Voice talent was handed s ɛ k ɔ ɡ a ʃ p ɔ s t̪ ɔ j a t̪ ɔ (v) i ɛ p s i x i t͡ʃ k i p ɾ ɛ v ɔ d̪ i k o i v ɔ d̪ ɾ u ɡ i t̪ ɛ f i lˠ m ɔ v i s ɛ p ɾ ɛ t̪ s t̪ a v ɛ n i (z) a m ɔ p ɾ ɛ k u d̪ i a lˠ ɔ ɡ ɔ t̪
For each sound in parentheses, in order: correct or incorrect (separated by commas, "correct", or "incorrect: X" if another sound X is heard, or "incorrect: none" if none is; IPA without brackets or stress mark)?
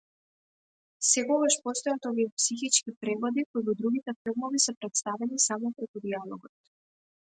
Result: correct, incorrect: s